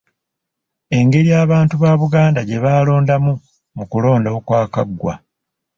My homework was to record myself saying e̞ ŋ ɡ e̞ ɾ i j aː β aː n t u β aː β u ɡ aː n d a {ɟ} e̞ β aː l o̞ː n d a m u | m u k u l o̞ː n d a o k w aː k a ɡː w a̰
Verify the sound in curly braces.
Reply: correct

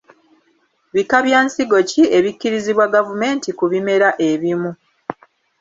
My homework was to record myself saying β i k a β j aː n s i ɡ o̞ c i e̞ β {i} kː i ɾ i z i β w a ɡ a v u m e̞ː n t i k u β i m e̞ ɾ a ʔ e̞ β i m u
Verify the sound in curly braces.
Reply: correct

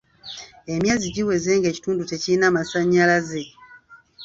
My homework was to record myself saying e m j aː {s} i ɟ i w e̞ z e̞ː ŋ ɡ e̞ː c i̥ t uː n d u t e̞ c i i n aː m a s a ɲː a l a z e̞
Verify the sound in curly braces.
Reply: incorrect: z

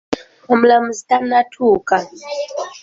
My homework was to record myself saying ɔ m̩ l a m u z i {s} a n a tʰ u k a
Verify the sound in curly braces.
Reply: incorrect: t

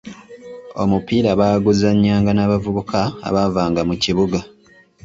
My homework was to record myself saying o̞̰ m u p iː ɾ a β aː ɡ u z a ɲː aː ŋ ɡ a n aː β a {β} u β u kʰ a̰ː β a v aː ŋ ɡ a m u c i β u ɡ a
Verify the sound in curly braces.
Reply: incorrect: v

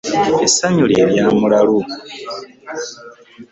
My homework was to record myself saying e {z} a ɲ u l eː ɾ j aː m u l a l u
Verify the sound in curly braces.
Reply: incorrect: s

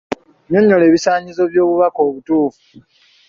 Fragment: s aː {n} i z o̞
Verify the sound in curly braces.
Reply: incorrect: ɲ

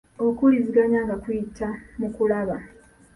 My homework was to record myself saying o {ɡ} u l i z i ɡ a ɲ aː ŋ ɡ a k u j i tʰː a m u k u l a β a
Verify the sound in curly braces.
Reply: incorrect: k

